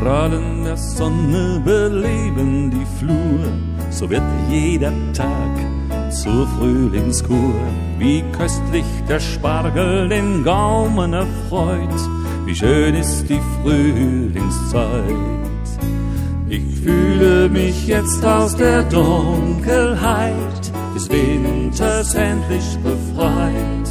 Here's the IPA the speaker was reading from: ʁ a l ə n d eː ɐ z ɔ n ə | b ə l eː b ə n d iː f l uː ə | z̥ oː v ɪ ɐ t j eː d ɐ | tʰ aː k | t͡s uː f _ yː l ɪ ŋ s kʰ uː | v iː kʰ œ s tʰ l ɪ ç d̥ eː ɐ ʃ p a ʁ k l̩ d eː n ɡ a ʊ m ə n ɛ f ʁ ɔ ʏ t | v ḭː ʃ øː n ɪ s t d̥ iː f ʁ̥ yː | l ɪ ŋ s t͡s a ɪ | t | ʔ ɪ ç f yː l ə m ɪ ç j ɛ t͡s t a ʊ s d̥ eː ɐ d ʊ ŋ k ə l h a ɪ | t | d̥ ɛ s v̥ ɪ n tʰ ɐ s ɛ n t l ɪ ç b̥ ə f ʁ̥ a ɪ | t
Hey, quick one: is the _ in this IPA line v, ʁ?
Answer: ʁ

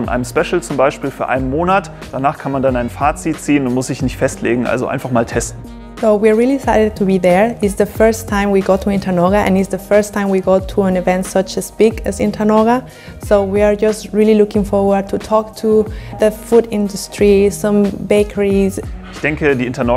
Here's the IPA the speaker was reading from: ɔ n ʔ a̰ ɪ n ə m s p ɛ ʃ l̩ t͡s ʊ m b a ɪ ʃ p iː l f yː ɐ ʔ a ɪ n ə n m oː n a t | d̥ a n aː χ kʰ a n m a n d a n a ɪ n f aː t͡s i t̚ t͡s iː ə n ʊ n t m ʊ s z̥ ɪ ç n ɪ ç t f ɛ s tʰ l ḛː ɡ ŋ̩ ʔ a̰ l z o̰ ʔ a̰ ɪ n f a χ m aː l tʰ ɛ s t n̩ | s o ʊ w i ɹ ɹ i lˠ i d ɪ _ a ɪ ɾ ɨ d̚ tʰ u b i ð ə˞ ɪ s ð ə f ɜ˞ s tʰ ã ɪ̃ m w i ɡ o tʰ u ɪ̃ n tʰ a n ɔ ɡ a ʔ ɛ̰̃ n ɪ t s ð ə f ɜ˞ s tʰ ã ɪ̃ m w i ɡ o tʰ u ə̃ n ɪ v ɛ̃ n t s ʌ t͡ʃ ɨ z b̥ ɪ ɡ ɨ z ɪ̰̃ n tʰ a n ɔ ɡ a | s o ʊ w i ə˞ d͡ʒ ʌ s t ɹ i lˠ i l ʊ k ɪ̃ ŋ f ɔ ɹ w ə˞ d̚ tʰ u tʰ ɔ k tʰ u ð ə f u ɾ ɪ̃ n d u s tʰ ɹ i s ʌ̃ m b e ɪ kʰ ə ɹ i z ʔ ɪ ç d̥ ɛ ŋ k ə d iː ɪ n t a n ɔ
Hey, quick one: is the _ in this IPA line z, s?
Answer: s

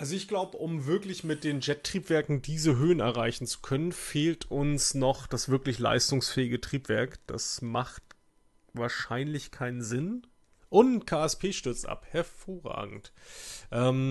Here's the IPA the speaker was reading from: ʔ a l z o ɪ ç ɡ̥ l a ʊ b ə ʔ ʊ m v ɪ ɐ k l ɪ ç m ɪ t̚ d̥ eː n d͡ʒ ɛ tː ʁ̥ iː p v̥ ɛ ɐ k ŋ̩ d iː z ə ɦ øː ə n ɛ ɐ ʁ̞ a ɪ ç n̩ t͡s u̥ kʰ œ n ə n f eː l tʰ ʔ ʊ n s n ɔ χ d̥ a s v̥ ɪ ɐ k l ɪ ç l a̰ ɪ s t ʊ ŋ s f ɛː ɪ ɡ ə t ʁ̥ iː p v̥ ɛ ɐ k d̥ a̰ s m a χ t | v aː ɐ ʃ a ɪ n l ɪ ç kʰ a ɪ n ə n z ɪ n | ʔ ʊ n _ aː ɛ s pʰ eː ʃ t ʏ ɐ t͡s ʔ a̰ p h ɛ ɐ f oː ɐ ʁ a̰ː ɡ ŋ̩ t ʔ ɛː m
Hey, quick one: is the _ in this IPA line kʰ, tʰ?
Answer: kʰ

